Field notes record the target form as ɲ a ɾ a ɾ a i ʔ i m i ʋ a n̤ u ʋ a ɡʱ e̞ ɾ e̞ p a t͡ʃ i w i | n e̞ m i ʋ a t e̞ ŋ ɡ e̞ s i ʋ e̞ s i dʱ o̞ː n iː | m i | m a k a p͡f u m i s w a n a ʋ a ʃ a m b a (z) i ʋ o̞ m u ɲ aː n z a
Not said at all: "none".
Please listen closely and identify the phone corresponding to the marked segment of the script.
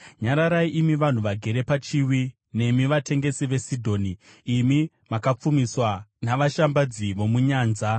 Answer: d͡z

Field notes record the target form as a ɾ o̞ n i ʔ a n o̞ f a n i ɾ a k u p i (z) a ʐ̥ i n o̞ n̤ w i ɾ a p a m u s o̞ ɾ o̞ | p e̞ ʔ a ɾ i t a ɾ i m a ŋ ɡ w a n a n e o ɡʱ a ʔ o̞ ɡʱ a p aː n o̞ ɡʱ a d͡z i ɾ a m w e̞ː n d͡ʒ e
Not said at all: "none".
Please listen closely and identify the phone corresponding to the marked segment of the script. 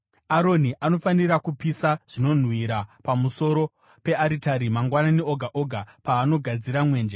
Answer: s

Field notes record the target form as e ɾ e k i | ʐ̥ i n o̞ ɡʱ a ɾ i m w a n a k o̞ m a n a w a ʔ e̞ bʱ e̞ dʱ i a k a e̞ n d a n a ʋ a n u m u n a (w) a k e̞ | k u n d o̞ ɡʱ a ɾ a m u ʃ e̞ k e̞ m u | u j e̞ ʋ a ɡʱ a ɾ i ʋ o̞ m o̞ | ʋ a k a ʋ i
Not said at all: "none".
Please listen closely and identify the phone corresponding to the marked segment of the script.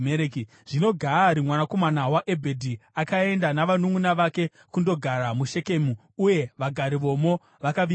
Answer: ʋ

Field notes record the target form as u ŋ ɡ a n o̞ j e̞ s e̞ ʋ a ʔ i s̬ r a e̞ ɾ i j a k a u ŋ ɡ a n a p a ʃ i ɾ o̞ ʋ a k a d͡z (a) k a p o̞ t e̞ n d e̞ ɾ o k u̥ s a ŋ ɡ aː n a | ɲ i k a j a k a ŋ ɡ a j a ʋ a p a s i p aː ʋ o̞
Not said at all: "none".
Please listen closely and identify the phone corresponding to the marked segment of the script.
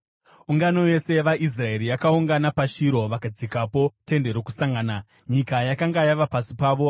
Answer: i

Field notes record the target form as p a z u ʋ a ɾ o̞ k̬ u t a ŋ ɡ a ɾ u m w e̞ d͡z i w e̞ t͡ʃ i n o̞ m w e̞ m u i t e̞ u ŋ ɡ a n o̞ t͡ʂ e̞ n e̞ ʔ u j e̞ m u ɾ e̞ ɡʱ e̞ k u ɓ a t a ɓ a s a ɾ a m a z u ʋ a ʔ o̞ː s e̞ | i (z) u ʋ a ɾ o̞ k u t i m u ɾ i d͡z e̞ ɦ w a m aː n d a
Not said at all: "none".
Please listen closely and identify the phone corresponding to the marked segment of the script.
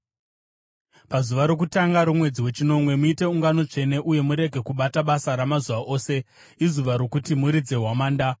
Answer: z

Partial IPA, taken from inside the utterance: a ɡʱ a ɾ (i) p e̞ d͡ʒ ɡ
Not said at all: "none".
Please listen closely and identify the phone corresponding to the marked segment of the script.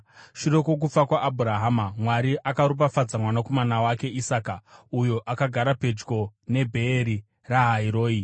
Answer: a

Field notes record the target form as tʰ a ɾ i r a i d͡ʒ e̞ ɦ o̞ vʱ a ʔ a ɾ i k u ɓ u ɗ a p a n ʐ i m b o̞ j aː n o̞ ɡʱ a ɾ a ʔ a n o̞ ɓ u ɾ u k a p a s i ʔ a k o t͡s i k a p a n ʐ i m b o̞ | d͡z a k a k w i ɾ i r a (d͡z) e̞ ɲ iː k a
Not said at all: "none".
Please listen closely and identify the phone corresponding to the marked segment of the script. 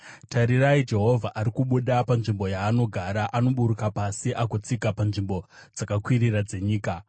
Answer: d͡z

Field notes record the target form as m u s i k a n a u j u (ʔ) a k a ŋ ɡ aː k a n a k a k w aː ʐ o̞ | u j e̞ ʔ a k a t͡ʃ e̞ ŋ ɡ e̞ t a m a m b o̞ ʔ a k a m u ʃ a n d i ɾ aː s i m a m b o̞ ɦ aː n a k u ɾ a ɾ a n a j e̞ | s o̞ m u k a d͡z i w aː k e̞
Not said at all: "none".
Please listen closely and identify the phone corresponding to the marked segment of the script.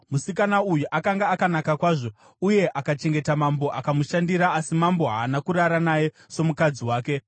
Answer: ʔ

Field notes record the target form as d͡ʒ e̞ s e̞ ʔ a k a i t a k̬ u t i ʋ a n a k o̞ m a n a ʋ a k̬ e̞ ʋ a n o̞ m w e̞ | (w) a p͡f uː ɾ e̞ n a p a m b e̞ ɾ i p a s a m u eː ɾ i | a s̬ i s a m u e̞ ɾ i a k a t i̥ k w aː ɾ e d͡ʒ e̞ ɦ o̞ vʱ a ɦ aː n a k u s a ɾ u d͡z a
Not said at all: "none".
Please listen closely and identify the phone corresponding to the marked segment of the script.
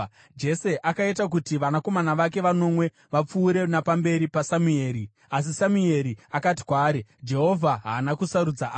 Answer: ʋ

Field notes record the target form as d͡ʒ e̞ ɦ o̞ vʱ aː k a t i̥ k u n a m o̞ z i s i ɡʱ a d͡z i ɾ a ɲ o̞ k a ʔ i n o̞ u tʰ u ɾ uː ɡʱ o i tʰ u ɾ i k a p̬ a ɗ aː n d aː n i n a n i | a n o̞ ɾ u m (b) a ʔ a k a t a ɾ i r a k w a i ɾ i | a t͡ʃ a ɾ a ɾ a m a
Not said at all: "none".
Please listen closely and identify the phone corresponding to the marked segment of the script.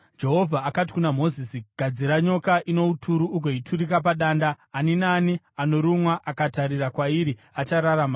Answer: w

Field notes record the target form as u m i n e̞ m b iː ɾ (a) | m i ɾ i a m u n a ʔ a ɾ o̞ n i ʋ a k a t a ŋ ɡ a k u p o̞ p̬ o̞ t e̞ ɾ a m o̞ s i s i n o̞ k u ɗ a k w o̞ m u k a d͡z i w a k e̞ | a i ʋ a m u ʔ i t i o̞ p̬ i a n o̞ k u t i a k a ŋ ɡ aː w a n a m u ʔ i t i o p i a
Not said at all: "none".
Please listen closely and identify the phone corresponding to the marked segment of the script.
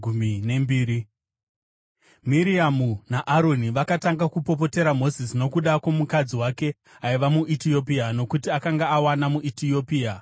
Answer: i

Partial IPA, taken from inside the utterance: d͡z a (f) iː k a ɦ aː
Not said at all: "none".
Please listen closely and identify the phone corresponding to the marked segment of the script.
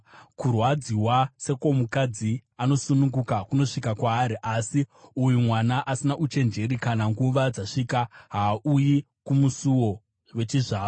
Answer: ʂ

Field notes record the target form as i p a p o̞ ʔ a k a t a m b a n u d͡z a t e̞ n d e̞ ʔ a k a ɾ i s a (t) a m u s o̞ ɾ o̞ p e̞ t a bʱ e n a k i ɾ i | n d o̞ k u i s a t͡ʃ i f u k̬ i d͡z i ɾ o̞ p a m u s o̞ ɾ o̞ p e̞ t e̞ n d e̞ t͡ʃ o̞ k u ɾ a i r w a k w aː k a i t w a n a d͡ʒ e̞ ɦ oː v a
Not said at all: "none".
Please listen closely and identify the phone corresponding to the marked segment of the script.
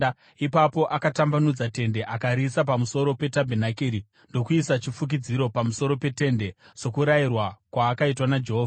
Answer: p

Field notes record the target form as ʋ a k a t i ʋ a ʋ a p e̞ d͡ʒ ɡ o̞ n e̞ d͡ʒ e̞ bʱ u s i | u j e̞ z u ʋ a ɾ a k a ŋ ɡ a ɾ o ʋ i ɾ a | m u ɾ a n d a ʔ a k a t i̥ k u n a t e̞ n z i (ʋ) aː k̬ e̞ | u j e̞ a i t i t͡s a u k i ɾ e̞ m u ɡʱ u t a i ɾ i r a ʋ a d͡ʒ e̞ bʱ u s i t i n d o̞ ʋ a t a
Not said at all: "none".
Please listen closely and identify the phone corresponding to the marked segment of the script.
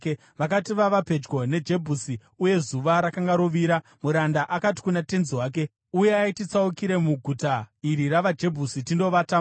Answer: w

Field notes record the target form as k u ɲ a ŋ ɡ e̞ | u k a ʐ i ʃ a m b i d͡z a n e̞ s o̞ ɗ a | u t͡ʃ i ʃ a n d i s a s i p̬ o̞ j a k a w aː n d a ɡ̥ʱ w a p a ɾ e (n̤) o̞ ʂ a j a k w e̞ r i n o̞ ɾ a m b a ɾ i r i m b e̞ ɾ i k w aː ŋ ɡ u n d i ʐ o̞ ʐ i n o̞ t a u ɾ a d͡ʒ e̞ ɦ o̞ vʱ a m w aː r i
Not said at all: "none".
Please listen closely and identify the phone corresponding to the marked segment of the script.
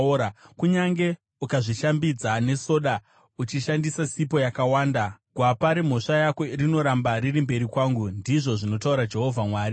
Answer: m̤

